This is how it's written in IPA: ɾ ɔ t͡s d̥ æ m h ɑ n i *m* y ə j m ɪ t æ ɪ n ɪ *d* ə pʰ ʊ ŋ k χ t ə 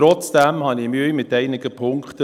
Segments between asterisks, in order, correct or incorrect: correct, incorrect

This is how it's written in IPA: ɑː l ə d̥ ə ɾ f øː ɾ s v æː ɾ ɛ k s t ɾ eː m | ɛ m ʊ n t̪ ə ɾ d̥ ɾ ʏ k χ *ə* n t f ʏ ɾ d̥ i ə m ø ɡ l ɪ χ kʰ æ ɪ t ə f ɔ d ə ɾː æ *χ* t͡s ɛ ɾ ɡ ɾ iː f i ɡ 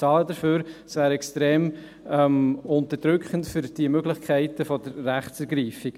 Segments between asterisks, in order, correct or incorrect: correct, correct

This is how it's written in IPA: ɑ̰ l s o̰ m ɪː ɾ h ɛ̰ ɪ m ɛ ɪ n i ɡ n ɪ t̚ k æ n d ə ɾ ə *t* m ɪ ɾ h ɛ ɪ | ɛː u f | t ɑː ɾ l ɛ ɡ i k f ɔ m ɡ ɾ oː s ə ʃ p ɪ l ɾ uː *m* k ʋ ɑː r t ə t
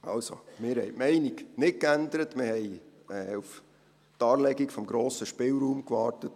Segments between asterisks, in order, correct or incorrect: correct, correct

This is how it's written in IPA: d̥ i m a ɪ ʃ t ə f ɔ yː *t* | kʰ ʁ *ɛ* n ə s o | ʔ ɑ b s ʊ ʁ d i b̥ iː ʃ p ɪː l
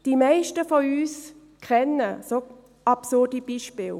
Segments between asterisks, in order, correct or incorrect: incorrect, correct

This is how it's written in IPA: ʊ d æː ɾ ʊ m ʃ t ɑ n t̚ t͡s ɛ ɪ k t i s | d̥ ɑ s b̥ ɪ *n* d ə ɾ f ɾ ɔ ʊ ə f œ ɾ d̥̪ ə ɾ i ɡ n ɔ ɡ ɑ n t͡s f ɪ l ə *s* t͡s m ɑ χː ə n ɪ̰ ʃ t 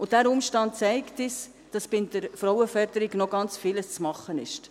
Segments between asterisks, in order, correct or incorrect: correct, correct

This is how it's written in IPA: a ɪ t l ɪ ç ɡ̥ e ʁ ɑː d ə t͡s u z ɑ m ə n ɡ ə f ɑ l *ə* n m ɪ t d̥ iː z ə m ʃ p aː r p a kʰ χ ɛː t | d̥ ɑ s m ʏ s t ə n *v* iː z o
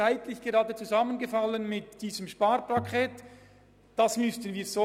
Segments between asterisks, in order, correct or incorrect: correct, correct

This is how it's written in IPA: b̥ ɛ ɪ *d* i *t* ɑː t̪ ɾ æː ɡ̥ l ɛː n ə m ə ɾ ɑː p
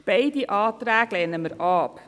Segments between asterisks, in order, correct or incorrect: correct, incorrect

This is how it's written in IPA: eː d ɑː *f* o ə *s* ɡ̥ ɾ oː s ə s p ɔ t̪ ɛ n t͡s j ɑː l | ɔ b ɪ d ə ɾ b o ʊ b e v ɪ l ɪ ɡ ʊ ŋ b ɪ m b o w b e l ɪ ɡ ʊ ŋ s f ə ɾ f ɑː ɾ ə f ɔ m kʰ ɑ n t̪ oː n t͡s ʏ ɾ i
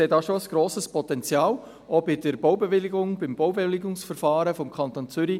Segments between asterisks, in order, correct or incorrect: incorrect, correct

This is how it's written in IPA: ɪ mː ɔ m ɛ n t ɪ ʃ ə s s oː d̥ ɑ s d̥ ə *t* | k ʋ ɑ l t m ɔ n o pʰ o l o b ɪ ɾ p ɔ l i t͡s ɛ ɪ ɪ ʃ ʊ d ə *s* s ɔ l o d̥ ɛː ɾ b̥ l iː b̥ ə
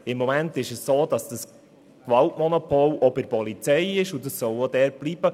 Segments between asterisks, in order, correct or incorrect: incorrect, correct

